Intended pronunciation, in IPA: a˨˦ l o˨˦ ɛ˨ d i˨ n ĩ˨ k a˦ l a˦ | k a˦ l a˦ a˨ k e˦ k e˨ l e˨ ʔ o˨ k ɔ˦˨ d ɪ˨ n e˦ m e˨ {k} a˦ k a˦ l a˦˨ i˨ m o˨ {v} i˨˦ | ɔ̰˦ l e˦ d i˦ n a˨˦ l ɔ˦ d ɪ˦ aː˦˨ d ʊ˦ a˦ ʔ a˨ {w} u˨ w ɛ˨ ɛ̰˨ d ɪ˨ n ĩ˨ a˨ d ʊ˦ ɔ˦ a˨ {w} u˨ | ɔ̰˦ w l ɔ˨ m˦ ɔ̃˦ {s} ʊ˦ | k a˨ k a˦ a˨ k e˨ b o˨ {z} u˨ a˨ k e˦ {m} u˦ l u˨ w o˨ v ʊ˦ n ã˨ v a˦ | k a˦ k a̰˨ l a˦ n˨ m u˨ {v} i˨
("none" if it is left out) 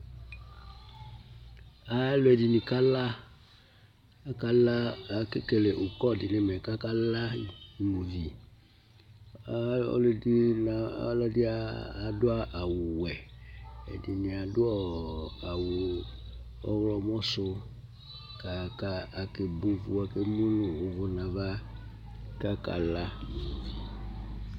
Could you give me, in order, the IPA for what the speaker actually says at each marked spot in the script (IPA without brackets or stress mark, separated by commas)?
k, v, w, w, s, v, m, v